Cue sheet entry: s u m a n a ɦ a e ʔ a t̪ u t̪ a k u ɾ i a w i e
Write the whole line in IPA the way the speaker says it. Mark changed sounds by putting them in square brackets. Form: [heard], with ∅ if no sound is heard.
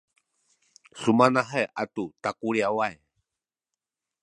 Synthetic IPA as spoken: s u m a n a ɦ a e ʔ a t̪ u t̪ a k u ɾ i a w [a] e